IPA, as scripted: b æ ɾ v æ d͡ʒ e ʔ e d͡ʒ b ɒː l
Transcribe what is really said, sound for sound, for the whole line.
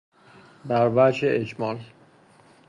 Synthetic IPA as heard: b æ ɾ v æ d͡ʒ e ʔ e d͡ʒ m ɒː l